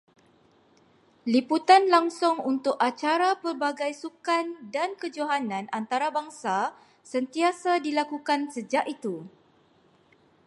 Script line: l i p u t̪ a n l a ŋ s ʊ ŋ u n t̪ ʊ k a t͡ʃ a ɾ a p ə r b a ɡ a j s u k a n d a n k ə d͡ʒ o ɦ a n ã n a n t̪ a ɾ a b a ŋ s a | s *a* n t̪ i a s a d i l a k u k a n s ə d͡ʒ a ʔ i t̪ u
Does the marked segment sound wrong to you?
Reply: yes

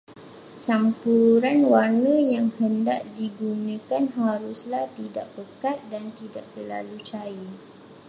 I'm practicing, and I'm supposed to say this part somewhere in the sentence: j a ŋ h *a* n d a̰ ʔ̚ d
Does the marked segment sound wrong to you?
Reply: yes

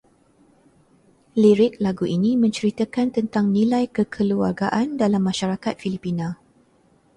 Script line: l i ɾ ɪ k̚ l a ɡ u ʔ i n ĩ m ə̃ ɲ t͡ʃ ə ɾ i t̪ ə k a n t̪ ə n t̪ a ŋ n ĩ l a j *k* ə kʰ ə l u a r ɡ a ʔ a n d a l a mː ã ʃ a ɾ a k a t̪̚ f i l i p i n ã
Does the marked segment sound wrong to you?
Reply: no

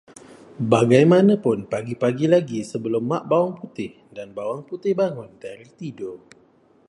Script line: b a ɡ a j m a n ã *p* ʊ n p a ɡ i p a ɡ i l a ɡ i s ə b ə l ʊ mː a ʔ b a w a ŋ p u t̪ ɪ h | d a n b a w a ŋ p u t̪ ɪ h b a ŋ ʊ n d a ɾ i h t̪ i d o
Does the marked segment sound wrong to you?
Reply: no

